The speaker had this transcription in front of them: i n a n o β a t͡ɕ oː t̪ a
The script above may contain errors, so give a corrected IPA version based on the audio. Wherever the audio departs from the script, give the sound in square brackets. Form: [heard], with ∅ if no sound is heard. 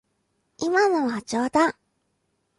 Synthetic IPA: i [m] a n o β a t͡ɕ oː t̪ a